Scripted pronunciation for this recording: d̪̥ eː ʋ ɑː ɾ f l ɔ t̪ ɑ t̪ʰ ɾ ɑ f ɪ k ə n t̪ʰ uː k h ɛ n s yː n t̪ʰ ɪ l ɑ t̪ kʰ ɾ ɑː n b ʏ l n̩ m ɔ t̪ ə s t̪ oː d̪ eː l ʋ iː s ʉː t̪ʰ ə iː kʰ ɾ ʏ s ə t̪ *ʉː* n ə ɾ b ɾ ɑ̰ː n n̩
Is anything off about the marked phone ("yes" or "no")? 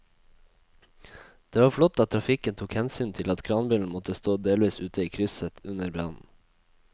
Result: yes